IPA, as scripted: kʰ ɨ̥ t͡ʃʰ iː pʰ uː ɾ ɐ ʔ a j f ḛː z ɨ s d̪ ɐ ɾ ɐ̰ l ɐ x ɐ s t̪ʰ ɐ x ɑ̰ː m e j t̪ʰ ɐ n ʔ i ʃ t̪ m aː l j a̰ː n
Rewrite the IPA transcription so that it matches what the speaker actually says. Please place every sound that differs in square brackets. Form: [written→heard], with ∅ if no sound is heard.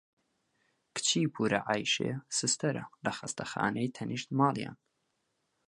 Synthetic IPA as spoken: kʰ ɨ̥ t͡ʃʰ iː pʰ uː ɾ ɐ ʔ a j [f→ʃ] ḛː [z→s] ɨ s [d̪→t̪] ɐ ɾ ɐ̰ l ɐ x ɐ s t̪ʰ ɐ x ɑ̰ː [m→n] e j t̪ʰ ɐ n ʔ i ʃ t̪ m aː l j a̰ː n